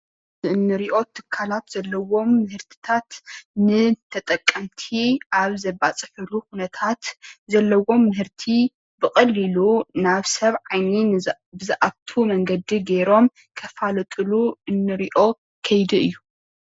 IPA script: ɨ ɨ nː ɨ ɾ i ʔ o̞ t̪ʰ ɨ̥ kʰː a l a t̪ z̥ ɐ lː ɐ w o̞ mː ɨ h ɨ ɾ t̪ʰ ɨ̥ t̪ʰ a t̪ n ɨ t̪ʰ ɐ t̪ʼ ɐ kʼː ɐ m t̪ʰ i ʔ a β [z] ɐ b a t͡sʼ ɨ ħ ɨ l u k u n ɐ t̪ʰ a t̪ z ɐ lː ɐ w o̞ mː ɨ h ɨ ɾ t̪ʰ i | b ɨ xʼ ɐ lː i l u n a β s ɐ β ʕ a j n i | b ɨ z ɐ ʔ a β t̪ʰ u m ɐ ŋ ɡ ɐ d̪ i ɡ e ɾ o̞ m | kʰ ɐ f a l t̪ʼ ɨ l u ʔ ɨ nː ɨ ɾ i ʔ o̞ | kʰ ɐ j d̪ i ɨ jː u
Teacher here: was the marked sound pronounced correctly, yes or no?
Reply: yes